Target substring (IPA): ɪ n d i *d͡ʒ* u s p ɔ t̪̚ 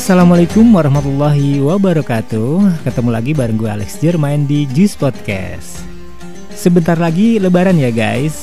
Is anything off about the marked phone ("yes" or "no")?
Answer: no